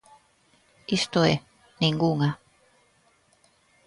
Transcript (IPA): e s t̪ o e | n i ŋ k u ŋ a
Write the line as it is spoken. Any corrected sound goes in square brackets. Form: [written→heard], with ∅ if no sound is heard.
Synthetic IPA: [e→i] s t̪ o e | n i ŋ [k→ɡ] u ŋ a